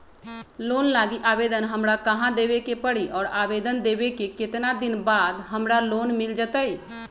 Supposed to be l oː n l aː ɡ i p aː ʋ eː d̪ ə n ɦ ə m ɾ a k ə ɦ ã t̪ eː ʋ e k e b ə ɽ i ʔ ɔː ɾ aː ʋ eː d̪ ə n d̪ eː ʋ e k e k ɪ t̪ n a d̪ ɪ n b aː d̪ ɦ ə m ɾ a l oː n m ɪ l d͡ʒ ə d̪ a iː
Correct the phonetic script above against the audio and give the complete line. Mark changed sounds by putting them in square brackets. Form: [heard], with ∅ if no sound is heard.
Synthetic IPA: l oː n l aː ɡ i [ʔ] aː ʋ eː d̪ ə n ɦ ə m ɾ a k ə ɦ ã [d̪] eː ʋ e k e [p] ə ɽ i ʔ ɔː ɾ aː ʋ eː d̪ ə n d̪ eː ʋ e k e k ɪ t̪ n a d̪ ɪ n b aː d̪ ɦ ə m ɾ a l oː n m ɪ l d͡ʒ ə [t̪] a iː